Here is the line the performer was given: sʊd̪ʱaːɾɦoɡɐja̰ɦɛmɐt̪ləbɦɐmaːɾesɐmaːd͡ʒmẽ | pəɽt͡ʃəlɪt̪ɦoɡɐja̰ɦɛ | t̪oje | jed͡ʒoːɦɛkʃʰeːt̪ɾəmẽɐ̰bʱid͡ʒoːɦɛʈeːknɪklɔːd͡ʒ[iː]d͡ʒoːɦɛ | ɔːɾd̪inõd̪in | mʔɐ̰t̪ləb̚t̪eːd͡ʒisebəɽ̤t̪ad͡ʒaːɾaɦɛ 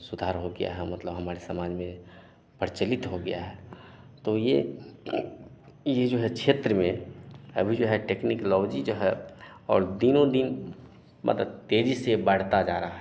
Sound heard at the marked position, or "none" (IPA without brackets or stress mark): i